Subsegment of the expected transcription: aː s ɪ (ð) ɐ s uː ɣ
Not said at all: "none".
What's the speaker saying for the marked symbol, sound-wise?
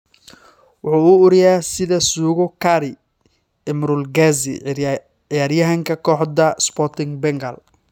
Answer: ð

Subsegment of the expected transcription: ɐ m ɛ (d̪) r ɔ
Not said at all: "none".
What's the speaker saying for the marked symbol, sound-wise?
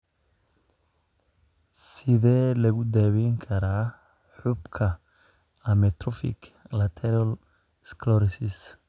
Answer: t̪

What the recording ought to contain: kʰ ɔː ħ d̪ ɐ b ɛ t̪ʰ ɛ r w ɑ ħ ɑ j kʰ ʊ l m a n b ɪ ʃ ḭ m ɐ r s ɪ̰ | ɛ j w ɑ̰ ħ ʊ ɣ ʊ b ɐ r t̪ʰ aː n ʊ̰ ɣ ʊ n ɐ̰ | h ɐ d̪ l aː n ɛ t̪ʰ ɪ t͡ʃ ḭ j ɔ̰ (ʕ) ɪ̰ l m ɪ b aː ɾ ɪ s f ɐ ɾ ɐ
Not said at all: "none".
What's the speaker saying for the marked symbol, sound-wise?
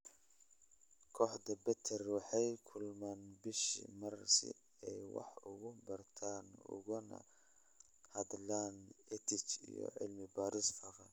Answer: ʕ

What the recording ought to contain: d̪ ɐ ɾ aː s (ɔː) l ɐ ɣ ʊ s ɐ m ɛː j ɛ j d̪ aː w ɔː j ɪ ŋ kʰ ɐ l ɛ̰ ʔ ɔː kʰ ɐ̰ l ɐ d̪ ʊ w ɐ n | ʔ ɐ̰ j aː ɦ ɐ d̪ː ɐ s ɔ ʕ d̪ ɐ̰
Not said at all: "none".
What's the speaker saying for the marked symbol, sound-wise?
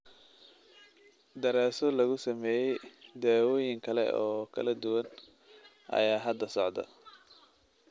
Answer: ɔ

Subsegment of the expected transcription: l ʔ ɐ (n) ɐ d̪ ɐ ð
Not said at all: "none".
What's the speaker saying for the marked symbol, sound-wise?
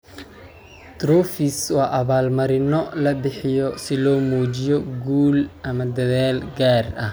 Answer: m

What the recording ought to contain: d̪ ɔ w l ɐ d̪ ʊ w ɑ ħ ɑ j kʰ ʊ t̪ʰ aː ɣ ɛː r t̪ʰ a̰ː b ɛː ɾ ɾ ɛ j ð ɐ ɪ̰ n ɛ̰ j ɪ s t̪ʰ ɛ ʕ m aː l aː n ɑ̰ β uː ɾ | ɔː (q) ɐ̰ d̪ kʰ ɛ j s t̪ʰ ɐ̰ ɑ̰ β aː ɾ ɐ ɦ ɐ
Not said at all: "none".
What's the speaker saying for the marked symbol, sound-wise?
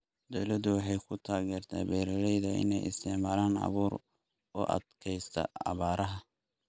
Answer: ʔ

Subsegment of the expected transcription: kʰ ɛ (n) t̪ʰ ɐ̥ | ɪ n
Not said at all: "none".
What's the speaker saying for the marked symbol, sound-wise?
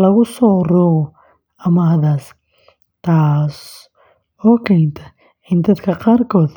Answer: n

